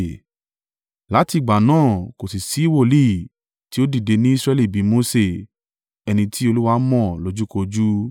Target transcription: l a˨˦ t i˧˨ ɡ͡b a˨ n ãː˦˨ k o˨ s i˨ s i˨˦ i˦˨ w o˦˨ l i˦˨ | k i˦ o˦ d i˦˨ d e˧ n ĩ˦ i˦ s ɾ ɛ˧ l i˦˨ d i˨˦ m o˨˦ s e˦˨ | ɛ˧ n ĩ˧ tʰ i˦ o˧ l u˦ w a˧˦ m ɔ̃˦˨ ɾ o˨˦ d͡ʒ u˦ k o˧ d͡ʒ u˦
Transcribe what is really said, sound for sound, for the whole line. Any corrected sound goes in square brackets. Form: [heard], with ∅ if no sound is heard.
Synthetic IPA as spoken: l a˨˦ t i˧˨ ɡ͡b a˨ n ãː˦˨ k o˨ s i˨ s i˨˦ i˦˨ w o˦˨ l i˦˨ | [t] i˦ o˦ d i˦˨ d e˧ n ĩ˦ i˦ s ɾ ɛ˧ l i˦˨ [b] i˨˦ m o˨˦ s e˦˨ | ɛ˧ n ĩ˧ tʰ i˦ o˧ l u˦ w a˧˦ m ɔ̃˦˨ [l] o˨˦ d͡ʒ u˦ k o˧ d͡ʒ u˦